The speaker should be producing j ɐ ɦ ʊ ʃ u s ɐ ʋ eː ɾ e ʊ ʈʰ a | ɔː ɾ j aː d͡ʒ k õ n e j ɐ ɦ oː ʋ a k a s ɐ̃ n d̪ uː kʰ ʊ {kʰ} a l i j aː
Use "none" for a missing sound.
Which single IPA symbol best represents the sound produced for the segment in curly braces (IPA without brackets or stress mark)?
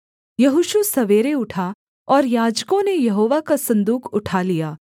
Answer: ʈʰ